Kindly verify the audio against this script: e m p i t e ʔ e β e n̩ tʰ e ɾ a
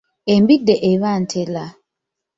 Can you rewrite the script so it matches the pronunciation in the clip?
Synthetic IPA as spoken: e m b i d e ʔ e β a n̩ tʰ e l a